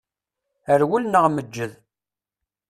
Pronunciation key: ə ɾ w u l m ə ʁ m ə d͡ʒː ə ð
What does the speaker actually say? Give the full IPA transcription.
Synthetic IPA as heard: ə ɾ w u l n ə ʁ m ə d͡ʒː ə ð

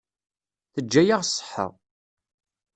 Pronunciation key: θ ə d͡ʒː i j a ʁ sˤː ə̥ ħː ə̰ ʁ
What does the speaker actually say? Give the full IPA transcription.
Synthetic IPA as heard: θ ə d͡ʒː æ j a ʁ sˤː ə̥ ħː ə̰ ʁ

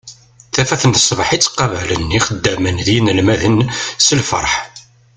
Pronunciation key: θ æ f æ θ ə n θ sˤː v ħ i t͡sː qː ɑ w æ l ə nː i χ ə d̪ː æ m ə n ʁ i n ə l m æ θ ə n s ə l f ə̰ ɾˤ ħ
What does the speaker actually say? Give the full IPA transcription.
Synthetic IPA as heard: θ æ f æ θ ə n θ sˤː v ħ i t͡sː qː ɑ v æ l ə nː i χ ə d̪ː æ m ə n ð i n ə l m æ ð ə n s ə l f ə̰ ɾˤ ħ

